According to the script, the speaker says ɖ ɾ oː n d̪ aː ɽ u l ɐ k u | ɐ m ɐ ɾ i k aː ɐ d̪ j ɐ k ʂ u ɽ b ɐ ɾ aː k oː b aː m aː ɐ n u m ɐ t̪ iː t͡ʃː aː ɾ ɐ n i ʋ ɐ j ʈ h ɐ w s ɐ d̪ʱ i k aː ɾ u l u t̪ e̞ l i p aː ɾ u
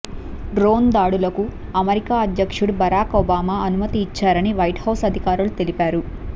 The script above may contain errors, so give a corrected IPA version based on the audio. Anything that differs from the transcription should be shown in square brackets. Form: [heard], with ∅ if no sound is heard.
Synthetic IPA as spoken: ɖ ɾ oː n d̪ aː ɽ u l ɐ k u | ɐ m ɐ ɾ i k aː ɐ d̪ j ɐ k ʂ u ɽ b ɐ ɾ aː k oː b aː m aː ɐ n u m ɐ t̪ iː t͡ʃː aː ɾ ɐ n i ʋ ɐ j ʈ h ɐ w s ɐ d̪ʱ i k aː ɾ u l u t̪ e̞ l i p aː ɾ u